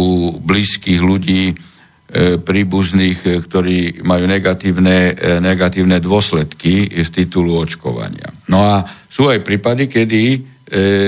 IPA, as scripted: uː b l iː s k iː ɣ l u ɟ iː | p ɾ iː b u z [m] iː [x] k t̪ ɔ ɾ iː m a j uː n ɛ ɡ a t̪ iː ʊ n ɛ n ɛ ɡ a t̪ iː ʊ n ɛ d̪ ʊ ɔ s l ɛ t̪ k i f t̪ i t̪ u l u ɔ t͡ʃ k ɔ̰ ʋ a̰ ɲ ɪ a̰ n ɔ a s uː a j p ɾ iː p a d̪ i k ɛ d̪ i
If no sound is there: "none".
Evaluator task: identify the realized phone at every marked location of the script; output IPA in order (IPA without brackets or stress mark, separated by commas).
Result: n, x